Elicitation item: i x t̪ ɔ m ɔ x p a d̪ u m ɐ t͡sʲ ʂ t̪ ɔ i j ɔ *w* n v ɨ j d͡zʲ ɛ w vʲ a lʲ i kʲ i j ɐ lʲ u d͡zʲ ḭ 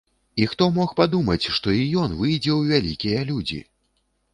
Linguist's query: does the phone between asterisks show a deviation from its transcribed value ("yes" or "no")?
yes